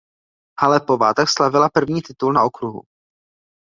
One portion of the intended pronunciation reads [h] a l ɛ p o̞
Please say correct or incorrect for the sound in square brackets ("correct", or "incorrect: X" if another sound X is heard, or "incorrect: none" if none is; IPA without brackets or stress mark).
correct